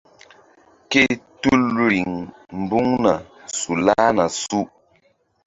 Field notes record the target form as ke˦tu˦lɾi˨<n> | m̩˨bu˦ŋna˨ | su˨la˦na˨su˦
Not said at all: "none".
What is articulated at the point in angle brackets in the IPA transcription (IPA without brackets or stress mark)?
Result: ŋ